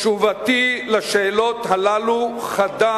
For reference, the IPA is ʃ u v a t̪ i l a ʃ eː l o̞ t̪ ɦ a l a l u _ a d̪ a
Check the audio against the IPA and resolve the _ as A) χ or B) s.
A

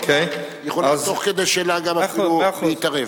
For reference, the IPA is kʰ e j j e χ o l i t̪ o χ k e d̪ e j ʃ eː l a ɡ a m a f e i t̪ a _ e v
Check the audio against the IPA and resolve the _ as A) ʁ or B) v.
A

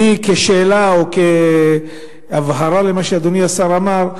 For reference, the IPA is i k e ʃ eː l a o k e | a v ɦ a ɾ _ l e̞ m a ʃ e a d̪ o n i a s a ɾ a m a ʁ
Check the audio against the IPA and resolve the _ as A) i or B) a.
B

